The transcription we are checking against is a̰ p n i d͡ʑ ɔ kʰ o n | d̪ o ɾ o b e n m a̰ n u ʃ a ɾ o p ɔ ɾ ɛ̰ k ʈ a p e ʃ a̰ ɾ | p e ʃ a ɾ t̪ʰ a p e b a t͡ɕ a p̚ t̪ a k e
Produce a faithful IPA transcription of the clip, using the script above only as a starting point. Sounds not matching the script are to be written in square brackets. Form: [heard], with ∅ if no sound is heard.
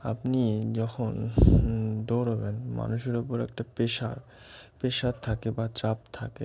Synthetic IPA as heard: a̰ p n i d͡ʑ ɔ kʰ o n | d̪ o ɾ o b e n m a̰ n u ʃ [e] ɾ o p [o] ɾ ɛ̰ k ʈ a p e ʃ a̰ ɾ | p e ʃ a ɾ t̪ʰ a [k] e b a t͡ɕ a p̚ [t̪ʰ] a k e